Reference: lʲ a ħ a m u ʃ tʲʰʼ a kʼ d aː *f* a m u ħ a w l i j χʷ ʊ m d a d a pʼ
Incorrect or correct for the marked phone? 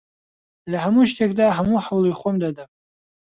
incorrect: ħ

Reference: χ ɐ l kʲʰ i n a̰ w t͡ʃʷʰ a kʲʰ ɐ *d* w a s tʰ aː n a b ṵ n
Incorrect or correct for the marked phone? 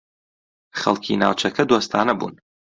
correct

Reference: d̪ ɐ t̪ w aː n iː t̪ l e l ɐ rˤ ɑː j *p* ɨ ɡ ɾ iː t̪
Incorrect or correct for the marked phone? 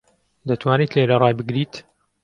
incorrect: b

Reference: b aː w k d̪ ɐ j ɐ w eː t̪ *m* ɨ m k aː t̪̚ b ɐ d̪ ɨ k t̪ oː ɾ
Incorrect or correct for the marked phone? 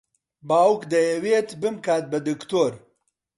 incorrect: b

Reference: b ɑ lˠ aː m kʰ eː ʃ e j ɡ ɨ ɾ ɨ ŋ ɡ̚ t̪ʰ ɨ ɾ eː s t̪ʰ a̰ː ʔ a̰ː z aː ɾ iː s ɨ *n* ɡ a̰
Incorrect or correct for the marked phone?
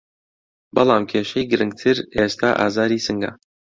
incorrect: ŋ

